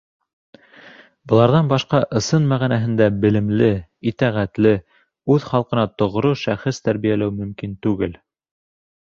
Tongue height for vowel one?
mid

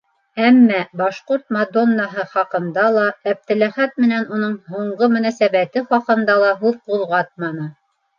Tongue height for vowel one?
low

